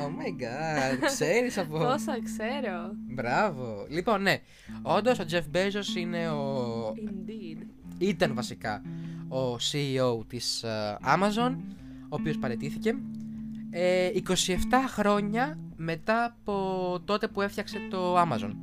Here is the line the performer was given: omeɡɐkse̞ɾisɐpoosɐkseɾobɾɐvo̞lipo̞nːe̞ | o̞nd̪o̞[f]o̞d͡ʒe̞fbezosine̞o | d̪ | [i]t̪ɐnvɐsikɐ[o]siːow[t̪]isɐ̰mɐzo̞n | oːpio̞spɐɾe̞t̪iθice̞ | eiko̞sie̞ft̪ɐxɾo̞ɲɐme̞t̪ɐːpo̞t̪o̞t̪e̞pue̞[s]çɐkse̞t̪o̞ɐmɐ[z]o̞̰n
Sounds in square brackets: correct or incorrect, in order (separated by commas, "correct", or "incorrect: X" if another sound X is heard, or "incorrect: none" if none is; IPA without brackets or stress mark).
incorrect: s, correct, correct, correct, incorrect: f, correct